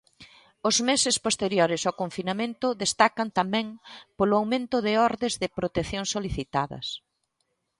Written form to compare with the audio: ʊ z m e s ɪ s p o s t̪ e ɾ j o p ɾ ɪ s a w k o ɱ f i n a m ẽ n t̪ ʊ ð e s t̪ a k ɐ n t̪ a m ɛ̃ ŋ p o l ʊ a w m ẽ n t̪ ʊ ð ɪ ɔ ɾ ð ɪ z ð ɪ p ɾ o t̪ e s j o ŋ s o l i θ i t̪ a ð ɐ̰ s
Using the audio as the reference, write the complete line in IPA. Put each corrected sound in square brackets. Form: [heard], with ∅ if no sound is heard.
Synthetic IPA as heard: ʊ z m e s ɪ s p o s t̪ e ɾ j o [∅] ɾ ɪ s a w k o ɱ f i n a m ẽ n t̪ ʊ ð e s t̪ a k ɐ n t̪ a m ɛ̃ ŋ p o l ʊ a w m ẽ n t̪ ʊ ð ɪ ɔ ɾ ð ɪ z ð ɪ p ɾ o t̪ e [θ] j o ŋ s o l i θ i t̪ a ð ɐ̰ s